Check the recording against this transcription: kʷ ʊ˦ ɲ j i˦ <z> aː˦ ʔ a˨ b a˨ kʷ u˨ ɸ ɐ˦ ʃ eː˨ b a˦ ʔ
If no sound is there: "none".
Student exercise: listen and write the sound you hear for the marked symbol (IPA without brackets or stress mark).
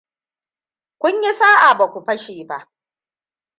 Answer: s